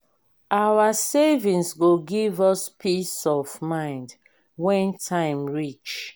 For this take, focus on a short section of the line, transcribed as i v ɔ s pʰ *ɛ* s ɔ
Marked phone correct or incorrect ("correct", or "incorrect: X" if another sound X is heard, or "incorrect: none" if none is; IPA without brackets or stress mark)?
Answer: incorrect: i